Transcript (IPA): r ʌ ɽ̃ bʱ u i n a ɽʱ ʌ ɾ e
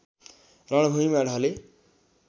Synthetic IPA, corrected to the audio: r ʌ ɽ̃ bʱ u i m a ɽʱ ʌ l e